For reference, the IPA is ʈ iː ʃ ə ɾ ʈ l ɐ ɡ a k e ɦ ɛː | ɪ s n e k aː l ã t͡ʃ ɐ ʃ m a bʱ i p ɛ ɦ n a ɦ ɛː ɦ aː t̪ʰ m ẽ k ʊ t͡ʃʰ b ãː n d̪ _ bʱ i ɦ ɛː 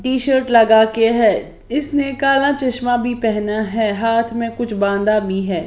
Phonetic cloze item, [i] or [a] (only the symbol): a